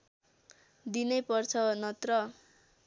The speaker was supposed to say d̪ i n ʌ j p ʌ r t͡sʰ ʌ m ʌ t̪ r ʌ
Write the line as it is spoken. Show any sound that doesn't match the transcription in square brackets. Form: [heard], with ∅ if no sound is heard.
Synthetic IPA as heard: d̪ i n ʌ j p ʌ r t͡sʰ ʌ [n] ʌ t̪ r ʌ